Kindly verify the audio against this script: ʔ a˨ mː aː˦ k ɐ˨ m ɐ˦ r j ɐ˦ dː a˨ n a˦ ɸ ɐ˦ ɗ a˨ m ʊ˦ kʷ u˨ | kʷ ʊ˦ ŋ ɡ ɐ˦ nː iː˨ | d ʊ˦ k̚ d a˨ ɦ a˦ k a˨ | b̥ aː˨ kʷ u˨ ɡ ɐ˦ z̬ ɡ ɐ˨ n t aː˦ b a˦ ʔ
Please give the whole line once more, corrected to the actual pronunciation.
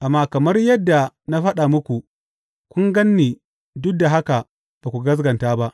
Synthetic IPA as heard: ʔ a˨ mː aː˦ k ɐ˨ m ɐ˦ r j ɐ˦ dː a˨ n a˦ ɸ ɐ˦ ɗ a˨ m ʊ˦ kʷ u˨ | kʷ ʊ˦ ŋ ɡ ɐ˦ nː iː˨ | d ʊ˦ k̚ d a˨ ɦ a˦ k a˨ | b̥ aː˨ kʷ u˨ ɡ ɐ˦ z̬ ɡ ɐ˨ n t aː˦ b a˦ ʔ